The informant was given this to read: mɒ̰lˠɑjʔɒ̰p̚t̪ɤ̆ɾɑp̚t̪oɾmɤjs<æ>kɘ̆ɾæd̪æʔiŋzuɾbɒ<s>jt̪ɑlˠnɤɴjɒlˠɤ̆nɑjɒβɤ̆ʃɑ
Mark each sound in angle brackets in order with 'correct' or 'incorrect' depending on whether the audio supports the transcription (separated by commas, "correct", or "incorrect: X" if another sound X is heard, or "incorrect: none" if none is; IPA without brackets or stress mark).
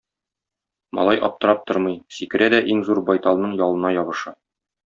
incorrect: i, incorrect: none